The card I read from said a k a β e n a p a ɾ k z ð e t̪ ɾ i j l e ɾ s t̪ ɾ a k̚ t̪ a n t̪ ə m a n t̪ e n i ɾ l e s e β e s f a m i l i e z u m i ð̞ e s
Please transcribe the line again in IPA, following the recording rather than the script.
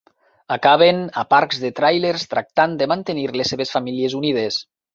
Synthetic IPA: a k a β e n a p a ɾ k z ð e t̪ ɾ a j l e ɾ s t̪ ɾ a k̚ t̪ a n d̪ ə m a n t̪ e n i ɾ l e s e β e s f a m i l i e z u n i ð̞ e s